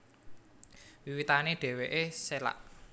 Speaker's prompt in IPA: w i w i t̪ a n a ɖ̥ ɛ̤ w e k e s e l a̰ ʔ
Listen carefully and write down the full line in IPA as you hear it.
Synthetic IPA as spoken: w i w i t̪ a n e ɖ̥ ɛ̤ w e ʔ e s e l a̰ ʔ